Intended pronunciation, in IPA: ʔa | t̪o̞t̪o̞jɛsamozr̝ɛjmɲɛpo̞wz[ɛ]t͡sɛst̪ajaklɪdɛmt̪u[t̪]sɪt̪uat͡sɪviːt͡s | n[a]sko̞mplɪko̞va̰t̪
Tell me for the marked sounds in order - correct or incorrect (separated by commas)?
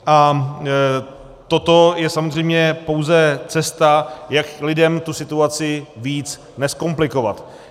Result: correct, incorrect, incorrect